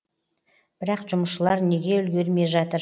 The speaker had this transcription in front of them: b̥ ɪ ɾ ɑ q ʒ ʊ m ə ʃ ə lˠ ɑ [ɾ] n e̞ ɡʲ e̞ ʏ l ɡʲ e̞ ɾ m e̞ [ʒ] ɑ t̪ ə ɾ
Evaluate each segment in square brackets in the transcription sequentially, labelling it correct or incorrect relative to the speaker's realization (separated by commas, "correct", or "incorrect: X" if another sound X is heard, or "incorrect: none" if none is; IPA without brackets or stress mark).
correct, correct